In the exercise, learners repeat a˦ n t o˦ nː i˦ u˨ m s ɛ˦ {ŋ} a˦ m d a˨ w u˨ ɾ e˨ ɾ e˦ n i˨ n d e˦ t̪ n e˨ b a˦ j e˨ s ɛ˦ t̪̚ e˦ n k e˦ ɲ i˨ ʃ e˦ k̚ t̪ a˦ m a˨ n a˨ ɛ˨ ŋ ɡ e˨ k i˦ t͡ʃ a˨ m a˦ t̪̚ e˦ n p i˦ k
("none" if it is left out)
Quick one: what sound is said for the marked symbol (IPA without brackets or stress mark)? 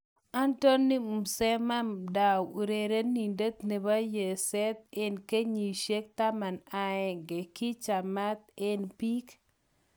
m